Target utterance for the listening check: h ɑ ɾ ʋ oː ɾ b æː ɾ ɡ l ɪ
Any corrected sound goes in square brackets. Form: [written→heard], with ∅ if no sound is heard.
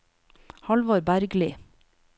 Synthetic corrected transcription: h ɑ [ɾ→l] ʋ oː ɾ b [æː→æ] ɾ ɡ l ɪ